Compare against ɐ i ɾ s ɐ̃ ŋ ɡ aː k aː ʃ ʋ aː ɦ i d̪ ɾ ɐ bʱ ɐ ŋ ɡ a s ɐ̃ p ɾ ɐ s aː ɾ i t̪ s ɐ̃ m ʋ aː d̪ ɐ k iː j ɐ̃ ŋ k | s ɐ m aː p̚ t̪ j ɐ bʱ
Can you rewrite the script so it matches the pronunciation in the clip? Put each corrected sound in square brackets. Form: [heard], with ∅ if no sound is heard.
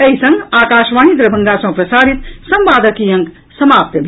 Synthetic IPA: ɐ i [∅] s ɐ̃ ŋ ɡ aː k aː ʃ ʋ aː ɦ i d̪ ɾ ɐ bʱ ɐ ŋ ɡ a s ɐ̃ p ɾ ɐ s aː ɾ i t̪ s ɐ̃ m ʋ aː d̪ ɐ k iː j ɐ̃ ŋ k | s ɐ m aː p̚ t̪ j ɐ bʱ